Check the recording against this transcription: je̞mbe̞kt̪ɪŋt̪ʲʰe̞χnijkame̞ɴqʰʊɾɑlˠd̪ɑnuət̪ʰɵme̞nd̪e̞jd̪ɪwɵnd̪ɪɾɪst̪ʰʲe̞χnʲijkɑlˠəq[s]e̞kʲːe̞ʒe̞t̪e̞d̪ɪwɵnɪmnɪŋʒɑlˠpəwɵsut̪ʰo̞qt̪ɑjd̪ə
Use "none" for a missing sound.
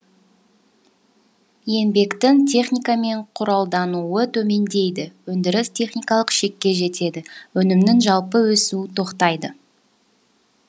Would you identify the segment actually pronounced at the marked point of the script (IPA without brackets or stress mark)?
ʃ